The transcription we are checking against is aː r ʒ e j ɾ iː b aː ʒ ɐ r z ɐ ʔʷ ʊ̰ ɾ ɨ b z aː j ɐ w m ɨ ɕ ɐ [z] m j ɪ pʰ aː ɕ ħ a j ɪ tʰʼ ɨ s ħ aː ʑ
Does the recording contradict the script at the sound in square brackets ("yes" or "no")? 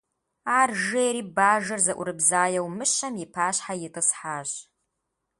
yes